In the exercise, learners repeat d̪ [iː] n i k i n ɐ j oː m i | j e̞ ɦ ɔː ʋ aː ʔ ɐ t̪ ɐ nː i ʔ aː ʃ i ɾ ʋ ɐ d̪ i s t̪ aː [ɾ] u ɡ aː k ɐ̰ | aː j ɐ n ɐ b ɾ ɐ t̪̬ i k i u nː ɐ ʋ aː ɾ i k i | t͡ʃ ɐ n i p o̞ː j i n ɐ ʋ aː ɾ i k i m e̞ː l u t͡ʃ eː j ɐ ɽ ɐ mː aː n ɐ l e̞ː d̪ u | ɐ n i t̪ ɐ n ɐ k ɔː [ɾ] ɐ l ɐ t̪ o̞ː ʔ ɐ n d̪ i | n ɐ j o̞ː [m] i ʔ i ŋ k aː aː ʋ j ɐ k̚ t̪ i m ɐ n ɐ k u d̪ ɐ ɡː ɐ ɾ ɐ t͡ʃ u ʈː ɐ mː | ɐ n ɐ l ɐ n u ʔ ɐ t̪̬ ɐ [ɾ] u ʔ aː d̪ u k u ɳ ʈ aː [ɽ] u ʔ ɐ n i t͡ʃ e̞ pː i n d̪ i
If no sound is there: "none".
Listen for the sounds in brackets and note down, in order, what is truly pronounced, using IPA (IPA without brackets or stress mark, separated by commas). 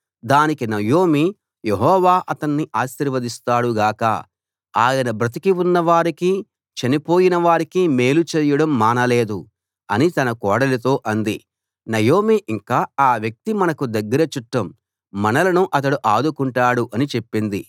aː, ɽ, ɽ, m, ɽ, ɽ